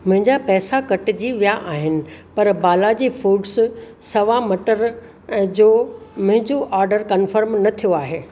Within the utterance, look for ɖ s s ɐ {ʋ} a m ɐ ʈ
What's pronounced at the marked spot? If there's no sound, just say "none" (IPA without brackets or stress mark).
ʋ